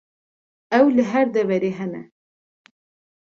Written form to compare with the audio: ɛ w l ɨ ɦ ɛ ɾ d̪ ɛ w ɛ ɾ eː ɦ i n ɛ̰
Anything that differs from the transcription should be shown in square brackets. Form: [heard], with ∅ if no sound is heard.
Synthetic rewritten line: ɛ w l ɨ ɦ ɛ ɾ d̪ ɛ [v] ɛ ɾ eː ɦ [ɛ] n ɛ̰